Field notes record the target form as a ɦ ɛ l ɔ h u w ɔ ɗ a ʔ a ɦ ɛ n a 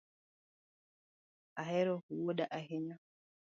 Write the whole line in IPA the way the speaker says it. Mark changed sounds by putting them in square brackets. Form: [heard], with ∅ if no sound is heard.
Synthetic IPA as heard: a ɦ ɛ [ɾ] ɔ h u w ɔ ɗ a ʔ a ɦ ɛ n a